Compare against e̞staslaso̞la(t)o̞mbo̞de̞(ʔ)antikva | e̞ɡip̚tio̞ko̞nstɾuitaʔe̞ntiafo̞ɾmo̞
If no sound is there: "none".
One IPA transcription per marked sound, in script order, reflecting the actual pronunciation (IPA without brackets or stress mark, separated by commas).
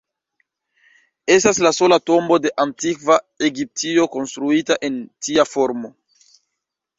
t, ʔ